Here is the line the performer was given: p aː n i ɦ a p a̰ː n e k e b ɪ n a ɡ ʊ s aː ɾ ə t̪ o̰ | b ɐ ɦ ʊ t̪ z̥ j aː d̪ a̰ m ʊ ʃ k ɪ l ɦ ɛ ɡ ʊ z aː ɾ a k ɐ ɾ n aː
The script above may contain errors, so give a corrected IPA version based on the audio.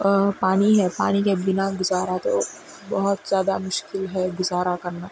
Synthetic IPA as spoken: p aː n i ɦ ɛ p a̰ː n i k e b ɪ n a ɡ ʊ z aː ɾ a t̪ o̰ | b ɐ ɦ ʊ t̪ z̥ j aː d̪ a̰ m ʊ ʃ k ɪ l ɦ ɛ ɡ ʊ z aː ɾ a k ɐ ɾ n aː

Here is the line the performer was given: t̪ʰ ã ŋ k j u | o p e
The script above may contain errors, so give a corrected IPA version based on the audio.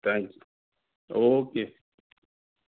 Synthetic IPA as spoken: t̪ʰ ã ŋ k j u | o k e

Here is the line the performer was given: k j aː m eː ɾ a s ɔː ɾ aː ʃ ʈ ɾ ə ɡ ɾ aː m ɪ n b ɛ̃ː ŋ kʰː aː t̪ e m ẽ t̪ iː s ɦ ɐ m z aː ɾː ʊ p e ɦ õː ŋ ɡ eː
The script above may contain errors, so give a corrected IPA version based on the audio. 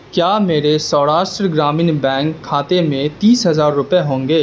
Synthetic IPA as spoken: k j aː m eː ɾ e s ɔː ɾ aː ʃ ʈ ɾ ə ɡ ɾ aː m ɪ n b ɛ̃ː ŋ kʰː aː t̪ e m ẽ t̪ iː s ɦ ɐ z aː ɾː ʊ p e ɦ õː ŋ ɡ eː

